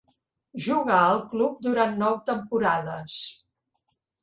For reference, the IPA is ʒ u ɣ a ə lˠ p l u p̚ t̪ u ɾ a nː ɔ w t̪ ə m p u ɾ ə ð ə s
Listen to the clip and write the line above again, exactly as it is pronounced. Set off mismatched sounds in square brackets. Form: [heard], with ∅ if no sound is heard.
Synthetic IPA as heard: ʒ u ɣ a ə lˠ [k] l u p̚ [d̪] u ɾ a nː ɔ w t̪ ə m p u ɾ [a] ð ə s